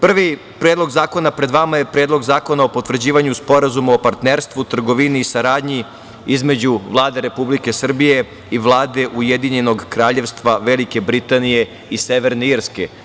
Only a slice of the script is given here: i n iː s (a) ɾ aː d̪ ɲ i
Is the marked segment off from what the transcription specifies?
no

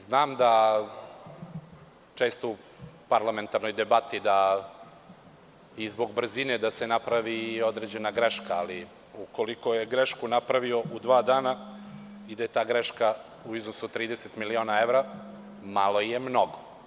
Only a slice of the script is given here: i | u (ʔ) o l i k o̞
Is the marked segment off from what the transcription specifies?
yes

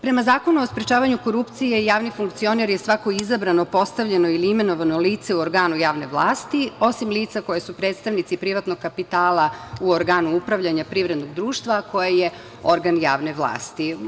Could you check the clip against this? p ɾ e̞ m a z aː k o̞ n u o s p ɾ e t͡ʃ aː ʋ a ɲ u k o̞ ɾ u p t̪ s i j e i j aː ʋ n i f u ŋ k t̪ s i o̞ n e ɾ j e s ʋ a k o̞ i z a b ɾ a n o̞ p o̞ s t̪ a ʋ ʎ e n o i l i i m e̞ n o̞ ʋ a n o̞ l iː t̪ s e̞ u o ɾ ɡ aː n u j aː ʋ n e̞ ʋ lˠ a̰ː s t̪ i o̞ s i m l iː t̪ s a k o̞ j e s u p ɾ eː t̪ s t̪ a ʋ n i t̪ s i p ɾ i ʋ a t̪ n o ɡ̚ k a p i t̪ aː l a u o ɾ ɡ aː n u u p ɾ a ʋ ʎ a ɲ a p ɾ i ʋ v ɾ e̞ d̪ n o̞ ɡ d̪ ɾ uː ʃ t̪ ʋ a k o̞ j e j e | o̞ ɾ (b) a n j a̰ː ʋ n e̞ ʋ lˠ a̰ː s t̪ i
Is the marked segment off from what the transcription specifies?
yes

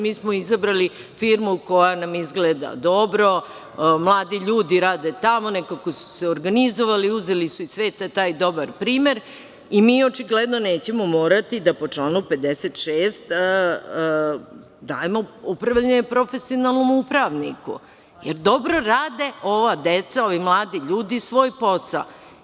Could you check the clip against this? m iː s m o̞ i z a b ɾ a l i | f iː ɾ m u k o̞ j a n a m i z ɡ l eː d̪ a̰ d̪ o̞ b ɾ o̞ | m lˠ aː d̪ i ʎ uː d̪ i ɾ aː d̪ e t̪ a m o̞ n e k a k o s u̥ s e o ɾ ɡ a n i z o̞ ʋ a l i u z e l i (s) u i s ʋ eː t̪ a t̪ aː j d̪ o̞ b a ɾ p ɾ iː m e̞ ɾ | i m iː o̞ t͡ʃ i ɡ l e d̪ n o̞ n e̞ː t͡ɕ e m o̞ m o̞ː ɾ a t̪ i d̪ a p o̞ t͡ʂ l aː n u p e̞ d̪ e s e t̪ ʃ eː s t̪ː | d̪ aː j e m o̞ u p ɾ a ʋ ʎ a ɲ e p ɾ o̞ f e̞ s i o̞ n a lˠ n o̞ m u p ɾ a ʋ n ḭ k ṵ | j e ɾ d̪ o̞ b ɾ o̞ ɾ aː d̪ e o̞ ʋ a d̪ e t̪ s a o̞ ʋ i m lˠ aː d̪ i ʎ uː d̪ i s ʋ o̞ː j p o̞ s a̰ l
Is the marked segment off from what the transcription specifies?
no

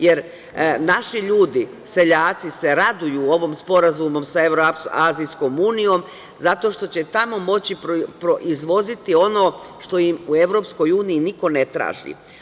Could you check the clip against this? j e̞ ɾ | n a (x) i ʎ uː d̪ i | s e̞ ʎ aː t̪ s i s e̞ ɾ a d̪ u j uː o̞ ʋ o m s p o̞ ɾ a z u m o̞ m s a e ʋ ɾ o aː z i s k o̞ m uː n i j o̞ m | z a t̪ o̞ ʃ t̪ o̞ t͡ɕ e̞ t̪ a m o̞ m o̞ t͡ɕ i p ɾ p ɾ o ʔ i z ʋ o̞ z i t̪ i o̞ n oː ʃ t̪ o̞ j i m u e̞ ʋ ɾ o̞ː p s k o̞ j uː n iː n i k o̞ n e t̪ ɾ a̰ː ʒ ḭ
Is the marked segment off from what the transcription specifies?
yes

